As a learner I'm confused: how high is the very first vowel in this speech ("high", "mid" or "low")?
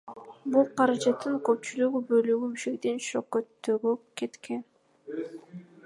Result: high